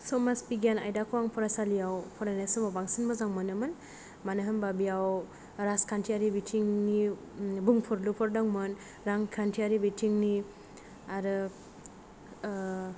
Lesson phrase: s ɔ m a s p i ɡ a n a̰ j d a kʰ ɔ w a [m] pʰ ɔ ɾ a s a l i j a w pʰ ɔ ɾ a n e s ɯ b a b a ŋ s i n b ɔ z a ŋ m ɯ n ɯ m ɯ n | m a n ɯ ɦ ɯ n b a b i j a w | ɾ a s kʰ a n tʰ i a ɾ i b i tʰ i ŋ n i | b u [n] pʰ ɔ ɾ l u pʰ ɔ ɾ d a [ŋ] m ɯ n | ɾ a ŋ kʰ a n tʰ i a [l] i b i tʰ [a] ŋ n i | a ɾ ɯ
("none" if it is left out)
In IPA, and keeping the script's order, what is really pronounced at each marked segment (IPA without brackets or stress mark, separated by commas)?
ŋ, ŋ, ŋ, ɾ, i